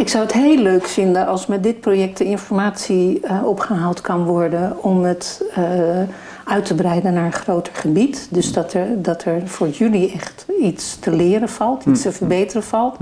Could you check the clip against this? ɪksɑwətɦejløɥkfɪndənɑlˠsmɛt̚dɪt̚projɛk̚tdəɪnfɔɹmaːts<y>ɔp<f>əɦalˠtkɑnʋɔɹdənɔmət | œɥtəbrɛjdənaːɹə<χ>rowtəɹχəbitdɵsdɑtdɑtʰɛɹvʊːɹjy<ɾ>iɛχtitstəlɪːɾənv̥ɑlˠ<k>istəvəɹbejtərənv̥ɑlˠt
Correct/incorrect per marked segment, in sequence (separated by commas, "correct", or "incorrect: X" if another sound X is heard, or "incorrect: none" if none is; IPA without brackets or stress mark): incorrect: i, incorrect: χ, correct, incorrect: l, incorrect: t